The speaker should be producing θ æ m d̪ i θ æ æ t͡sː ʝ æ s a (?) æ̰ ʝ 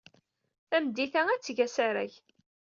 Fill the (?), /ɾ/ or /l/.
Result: ɾ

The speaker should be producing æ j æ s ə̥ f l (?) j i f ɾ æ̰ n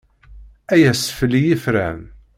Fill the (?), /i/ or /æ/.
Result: i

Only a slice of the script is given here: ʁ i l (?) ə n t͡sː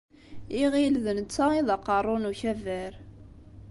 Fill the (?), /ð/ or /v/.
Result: ð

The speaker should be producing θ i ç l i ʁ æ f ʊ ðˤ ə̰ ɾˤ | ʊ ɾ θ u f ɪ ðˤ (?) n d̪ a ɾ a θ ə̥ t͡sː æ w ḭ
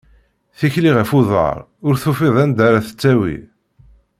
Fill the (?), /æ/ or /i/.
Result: æ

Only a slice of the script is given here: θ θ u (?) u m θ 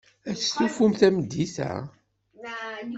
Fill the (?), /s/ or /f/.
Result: f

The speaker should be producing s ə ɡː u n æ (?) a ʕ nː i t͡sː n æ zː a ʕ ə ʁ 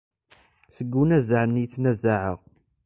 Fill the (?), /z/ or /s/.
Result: z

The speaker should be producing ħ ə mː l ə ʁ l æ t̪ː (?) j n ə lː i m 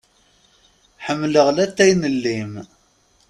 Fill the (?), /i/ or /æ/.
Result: æ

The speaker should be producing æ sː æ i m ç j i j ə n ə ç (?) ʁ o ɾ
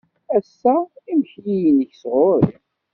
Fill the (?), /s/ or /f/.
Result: s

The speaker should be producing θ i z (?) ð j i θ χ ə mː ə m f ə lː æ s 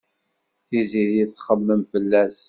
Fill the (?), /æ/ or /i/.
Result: i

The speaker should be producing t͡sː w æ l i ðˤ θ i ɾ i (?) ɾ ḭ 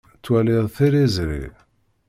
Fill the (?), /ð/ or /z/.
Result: z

